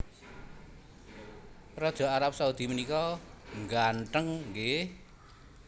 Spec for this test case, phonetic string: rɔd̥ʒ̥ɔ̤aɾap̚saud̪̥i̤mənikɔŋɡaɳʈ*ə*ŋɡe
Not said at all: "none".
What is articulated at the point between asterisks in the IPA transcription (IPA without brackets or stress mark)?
ə